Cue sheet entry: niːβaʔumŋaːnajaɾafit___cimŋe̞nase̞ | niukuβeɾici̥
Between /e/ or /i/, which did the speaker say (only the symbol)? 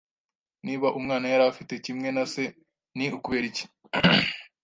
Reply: e